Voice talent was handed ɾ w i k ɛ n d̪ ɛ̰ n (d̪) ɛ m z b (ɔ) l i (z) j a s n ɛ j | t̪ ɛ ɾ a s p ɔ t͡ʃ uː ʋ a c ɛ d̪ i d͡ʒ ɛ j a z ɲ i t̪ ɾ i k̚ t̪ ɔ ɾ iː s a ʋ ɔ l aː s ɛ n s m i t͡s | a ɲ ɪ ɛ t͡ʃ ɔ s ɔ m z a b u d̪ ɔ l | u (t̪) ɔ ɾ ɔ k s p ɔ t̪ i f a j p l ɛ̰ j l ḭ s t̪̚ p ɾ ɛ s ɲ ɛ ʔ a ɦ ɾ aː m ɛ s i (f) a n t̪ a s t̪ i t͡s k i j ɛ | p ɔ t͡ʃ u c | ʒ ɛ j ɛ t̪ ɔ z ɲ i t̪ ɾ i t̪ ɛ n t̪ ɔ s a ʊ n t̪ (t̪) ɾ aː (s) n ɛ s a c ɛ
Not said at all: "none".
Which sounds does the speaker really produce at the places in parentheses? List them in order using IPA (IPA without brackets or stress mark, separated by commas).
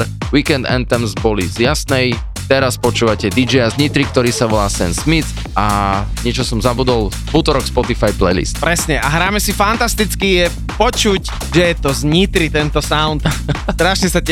t̪, ɔ, z, t̪, f, t̪, ʃ